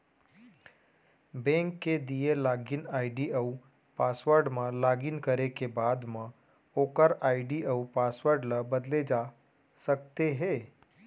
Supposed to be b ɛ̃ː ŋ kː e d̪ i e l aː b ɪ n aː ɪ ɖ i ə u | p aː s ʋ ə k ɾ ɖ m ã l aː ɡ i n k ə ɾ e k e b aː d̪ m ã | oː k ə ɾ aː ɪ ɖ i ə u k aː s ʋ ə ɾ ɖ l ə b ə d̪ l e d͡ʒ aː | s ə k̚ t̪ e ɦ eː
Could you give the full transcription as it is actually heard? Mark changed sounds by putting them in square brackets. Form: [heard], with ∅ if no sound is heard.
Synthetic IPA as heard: b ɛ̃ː ŋ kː e d̪ i e l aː [ɡ] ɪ n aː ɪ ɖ i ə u | p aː s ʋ ə [∅] ɾ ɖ m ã l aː ɡ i n k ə ɾ e k e b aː d̪ m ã | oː k ə ɾ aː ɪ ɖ i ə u [p] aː s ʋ ə ɾ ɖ l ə b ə d̪ l e d͡ʒ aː | s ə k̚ t̪ e ɦ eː